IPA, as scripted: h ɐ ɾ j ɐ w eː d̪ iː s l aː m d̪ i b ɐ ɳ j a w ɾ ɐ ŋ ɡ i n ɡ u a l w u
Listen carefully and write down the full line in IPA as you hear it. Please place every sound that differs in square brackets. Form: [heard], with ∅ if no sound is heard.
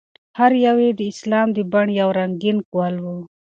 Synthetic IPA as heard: h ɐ ɾ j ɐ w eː d̪ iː s l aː m d̪ i b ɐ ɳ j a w ɾ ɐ ŋ ɡ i n [k] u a l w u